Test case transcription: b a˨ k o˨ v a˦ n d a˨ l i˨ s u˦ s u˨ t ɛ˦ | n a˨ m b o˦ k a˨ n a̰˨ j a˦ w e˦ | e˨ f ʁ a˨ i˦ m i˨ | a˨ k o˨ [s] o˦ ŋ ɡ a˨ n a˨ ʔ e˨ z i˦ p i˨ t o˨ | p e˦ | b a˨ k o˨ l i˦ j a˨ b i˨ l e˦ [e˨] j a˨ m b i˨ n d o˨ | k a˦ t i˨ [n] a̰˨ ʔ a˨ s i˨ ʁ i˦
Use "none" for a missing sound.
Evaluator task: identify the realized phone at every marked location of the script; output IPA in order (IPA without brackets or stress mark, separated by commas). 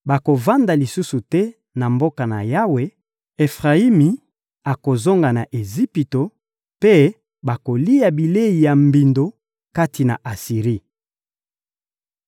z, i˨, n